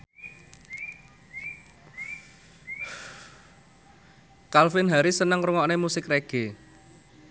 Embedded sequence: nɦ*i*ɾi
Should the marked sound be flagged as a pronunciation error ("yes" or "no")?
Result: yes